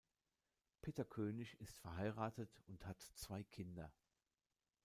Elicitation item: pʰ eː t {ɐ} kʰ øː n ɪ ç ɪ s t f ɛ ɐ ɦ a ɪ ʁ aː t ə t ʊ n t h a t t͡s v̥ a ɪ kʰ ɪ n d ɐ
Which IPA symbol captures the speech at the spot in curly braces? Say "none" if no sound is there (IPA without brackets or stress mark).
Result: ɐ